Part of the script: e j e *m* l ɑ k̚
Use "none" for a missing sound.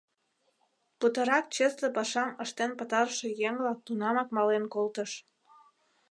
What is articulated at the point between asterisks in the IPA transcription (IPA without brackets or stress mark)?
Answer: ŋ